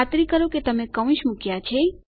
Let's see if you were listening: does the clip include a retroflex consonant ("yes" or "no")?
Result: no